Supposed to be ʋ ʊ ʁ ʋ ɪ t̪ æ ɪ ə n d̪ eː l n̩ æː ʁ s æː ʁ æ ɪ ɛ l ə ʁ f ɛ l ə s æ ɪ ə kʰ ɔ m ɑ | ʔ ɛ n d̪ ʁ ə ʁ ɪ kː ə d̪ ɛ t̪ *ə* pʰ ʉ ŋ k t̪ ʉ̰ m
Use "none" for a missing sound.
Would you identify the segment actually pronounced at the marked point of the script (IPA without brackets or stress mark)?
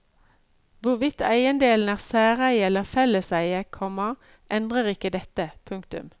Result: ə